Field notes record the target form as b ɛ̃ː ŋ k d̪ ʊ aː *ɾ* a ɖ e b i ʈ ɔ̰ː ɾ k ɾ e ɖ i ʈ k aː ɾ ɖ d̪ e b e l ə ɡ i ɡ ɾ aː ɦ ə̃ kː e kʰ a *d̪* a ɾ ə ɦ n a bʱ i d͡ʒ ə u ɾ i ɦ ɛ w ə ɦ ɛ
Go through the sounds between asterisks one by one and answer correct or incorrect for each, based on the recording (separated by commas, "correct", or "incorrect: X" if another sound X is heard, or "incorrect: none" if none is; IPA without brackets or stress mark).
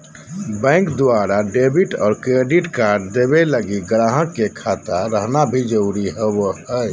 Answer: correct, incorrect: t̪